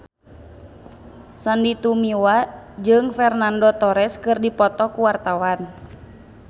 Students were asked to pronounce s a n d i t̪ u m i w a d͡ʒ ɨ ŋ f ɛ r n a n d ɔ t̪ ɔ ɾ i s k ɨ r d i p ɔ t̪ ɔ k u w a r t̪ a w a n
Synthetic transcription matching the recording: s a n d i t̪ u m i w a d͡ʒ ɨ ŋ f ɛ r n a n d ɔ t̪ ɔ ɾ ɛ s k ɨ r d i p ɔ t̪ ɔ k u w a r t̪ a w a n